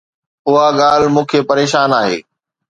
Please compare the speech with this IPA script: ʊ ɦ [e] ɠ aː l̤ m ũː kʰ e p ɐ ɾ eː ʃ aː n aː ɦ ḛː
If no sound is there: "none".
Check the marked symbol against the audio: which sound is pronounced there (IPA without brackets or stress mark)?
a